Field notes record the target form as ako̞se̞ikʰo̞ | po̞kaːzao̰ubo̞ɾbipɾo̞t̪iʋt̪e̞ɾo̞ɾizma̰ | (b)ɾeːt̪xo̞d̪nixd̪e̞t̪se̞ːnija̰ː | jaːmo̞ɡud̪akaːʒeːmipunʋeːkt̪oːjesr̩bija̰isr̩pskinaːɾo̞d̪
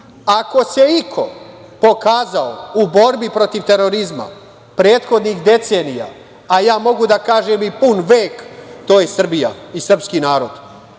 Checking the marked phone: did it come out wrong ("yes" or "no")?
yes